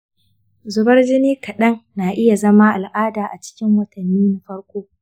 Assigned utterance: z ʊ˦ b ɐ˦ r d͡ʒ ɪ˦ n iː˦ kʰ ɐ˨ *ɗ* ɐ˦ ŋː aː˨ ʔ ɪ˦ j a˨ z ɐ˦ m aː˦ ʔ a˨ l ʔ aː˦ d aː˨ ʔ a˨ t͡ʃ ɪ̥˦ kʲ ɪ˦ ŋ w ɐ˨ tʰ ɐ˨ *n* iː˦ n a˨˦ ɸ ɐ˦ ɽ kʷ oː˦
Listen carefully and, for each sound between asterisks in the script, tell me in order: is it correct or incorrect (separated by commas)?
correct, incorrect